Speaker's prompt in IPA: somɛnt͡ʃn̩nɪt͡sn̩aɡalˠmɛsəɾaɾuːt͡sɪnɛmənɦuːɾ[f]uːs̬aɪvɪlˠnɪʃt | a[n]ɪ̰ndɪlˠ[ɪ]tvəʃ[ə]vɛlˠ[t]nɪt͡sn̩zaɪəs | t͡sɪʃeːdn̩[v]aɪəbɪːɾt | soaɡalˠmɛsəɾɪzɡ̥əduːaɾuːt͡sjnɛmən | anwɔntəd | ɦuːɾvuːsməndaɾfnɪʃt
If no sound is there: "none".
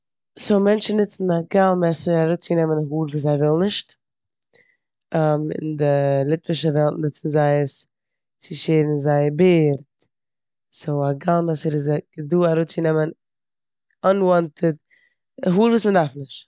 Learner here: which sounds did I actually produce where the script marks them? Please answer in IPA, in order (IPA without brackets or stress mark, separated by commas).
v, m, ɪ, ə, t, z